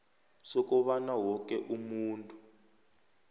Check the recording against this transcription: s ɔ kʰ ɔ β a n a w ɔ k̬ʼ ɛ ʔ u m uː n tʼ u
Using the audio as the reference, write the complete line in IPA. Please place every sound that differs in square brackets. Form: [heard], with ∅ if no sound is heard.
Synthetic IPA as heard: s ɔ [k] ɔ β a n a w ɔ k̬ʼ ɛ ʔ u m uː n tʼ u